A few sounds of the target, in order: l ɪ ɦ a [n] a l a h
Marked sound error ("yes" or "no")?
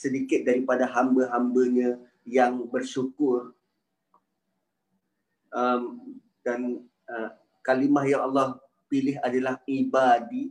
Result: yes